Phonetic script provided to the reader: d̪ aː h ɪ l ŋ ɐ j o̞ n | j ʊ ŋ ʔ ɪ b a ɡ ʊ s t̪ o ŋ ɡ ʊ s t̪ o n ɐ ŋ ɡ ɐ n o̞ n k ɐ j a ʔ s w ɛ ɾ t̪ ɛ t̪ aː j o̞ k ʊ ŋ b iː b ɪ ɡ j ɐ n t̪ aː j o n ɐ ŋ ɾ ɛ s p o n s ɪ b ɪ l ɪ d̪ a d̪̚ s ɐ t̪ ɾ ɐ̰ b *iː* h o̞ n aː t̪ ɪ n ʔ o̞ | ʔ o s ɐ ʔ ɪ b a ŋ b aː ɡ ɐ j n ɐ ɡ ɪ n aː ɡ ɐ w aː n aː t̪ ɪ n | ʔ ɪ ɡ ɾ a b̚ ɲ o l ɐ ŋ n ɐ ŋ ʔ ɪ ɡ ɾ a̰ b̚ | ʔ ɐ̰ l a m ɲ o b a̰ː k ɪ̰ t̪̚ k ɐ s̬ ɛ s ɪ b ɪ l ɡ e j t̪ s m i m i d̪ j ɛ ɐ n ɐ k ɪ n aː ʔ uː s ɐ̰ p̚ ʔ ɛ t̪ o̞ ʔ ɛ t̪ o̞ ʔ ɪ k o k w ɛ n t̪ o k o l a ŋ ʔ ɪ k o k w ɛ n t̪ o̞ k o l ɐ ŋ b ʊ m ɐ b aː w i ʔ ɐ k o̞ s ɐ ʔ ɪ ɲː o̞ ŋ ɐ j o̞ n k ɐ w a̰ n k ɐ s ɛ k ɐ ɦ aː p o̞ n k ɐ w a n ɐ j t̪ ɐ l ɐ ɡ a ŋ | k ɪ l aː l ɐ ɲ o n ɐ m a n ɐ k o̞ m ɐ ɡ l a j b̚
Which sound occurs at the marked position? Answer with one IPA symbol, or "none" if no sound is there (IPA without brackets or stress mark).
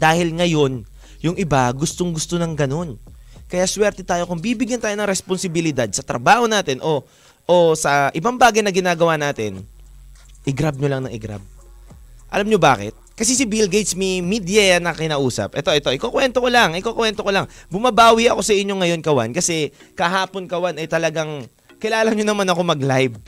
aː